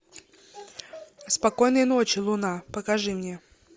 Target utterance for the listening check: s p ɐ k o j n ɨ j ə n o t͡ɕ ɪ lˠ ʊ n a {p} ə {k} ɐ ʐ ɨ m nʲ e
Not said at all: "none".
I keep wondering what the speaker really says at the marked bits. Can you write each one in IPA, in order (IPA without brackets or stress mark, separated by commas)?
p, k